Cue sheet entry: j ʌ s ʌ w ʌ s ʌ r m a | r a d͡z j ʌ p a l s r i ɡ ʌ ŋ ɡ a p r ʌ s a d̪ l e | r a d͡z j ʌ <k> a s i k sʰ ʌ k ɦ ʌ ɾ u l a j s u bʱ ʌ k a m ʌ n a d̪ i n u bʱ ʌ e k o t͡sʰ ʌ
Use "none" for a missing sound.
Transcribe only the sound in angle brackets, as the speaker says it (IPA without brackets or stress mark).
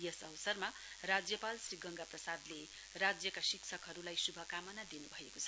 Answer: k